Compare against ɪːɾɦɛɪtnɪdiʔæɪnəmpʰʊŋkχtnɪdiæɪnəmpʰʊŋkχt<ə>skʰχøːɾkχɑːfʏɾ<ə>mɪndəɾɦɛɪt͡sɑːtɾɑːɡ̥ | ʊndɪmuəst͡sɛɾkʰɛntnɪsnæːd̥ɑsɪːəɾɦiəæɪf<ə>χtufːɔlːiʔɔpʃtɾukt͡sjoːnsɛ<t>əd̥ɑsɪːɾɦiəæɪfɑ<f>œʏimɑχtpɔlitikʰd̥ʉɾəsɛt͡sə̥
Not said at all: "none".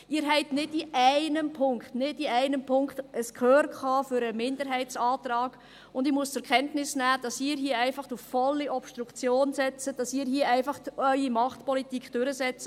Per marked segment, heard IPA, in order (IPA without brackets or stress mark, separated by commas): ə, ə, ɑ, t͡s, χ